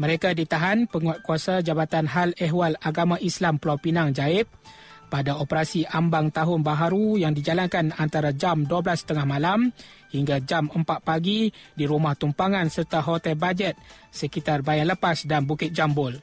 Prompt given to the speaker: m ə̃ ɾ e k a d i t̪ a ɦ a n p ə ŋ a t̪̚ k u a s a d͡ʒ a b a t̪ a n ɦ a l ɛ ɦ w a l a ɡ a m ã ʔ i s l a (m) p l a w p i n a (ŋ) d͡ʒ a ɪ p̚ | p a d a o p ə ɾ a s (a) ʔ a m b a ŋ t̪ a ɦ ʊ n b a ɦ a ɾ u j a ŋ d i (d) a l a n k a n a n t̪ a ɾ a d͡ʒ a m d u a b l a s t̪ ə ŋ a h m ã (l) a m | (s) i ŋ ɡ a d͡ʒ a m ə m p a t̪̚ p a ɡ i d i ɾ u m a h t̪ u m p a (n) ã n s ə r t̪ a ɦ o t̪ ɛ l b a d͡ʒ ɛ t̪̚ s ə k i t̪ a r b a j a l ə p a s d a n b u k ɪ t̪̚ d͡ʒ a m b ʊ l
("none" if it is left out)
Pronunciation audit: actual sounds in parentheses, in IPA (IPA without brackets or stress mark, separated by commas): m, ŋ, i, d͡ʒ, l, h, ŋ